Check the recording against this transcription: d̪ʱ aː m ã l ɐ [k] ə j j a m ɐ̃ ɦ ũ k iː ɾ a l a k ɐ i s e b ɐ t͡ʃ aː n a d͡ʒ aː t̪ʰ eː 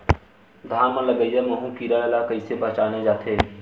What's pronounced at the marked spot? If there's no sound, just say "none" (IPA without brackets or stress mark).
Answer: ɡ